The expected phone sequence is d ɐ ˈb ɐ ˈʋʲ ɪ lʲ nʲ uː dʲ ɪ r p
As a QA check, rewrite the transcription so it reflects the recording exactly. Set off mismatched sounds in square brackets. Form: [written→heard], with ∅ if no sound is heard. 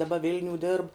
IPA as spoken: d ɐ ˈb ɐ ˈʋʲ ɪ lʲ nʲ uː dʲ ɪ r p